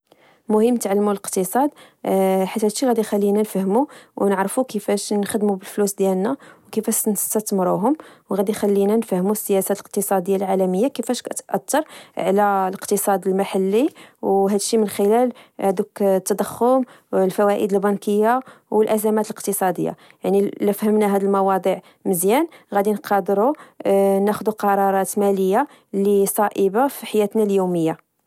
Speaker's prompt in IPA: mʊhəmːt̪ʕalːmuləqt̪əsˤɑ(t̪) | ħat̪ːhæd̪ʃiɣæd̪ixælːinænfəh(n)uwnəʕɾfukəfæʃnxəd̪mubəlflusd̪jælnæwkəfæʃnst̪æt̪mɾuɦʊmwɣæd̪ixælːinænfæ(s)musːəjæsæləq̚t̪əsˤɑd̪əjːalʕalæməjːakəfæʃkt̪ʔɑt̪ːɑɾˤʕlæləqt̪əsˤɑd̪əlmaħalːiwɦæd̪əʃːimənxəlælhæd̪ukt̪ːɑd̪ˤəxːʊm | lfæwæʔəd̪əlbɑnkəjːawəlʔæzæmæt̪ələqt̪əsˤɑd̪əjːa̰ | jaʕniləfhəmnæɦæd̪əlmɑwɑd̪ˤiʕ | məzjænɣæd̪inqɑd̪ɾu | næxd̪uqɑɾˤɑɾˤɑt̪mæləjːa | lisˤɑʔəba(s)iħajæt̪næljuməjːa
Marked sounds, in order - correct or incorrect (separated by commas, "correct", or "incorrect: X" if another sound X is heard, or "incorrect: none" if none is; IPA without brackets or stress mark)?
incorrect: d̪, incorrect: m, incorrect: h, incorrect: f